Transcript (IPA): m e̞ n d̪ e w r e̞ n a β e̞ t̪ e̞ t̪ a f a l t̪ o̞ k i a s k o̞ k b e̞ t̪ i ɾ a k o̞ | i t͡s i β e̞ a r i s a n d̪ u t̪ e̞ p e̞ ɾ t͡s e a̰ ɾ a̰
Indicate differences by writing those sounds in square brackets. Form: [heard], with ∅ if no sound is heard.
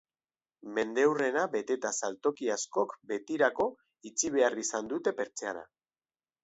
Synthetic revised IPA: m e̞ n d̪ e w r e̞ n a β e̞ t̪ e̞ t̪ a [s] a l t̪ o̞ k i a s k o̞ k b e̞ t̪ i ɾ a k o̞ | i t͡s i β e̞ a r i s a n d̪ u t̪ e̞ p e̞ ɾ t͡s e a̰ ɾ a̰